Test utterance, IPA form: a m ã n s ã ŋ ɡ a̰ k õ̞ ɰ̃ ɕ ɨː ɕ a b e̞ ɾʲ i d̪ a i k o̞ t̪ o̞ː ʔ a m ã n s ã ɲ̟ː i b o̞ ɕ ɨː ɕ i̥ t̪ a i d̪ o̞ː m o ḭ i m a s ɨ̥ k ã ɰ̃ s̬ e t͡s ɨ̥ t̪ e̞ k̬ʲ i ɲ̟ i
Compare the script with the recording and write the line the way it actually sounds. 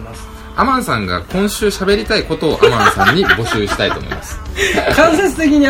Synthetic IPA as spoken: a m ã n s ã ŋ ɡ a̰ k õ̞ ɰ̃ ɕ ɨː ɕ a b e̞ ɾʲ i t̪ a i k o̞ t̪ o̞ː ʔ a m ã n s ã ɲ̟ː i b o̞ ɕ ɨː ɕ i̥ t̪ a i t̪ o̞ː m o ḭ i m a s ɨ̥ k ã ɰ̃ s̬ e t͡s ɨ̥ t̪ e̞ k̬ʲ i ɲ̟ i